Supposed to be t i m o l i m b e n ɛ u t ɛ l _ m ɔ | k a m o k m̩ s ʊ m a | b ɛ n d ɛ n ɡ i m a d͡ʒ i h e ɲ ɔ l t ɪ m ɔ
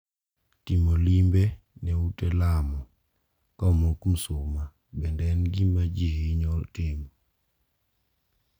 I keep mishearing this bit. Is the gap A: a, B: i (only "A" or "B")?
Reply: A